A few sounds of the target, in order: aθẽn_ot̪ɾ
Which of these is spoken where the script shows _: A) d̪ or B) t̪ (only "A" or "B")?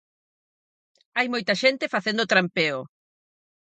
A